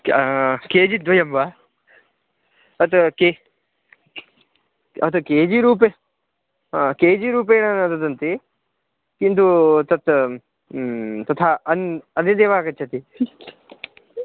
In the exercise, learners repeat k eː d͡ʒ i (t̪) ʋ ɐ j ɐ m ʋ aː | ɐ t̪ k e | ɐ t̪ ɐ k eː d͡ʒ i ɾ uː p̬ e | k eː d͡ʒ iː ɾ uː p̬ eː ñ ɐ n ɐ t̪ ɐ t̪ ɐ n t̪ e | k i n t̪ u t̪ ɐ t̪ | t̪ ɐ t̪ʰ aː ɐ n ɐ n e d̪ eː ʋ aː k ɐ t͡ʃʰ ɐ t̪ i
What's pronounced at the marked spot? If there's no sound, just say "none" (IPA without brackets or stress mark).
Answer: d̪